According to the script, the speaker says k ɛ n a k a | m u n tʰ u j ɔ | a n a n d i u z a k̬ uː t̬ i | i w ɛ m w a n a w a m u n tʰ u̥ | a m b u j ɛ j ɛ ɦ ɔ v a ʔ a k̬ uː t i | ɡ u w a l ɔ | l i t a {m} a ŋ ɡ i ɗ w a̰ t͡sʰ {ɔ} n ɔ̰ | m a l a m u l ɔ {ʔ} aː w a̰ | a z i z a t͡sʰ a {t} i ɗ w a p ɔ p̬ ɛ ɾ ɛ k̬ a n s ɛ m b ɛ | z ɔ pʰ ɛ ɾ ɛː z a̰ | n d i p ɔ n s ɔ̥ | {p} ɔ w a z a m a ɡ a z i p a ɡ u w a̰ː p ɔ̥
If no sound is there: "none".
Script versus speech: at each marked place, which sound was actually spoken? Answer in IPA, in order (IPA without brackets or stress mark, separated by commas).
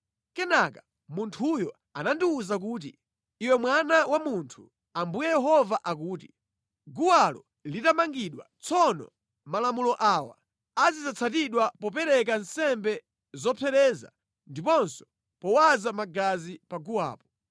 m, ɔ, ʔ, t, p